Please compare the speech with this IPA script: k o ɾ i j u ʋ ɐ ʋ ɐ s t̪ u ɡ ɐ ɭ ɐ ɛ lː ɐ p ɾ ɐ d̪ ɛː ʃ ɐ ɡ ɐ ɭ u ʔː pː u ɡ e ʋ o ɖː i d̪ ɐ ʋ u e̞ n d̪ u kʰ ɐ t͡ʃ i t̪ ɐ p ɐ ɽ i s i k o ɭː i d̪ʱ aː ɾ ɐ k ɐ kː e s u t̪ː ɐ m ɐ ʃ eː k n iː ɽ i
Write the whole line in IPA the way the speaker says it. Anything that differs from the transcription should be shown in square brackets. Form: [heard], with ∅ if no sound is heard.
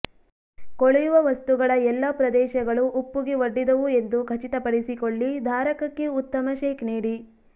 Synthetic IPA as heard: k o [ɭ] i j u ʋ ɐ ʋ ɐ s t̪ u ɡ ɐ ɭ ɐ ɛ lː ɐ p ɾ ɐ d̪ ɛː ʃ ɐ ɡ ɐ ɭ u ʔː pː u ɡ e ʋ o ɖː i d̪ ɐ ʋ u e̞ n d̪ u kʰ ɐ t͡ʃ i t̪ ɐ p ɐ ɽ i s i k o ɭː i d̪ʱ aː ɾ ɐ k ɐ kː e [∅] u t̪ː ɐ m ɐ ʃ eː k n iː ɽ i